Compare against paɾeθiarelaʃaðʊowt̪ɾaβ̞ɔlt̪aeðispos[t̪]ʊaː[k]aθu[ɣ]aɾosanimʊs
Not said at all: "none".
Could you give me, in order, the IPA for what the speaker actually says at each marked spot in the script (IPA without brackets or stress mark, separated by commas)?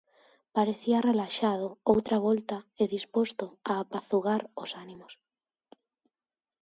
t̪, p, ɣ